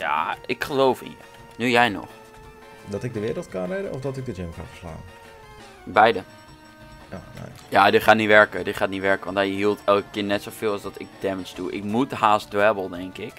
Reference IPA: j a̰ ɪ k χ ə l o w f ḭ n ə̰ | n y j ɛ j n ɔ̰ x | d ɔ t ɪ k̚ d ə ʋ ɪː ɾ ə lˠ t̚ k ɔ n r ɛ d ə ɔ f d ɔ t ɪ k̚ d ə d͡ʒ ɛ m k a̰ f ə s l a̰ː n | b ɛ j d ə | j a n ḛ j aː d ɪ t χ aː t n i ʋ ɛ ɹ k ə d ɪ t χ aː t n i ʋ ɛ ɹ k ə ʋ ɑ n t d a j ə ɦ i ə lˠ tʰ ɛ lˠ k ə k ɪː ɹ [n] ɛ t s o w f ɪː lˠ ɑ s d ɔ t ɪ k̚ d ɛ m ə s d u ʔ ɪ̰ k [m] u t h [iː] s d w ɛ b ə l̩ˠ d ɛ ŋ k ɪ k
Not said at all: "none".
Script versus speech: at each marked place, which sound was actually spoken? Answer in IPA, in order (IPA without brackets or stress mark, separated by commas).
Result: n, m, aː